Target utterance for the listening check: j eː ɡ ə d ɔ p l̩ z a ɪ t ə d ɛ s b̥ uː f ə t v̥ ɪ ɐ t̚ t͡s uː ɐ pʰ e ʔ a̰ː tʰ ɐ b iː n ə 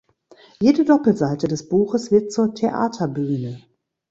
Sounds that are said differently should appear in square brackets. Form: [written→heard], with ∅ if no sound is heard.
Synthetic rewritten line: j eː [ɡ→d] ə d ɔ p l̩ z a ɪ t ə d ɛ s b̥ uː [f→x] ə [t→s] v̥ ɪ ɐ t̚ t͡s uː ɐ [pʰ→tʰ] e ʔ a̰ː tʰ ɐ b [iː→yː] n ə